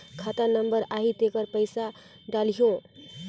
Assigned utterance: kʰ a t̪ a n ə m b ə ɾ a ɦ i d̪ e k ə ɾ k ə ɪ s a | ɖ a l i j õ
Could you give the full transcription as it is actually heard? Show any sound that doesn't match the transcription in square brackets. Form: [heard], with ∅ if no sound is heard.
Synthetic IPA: kʰ a t̪ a n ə m b ə ɾ a ɦ i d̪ e k ə ɾ [p] ə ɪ s a | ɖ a l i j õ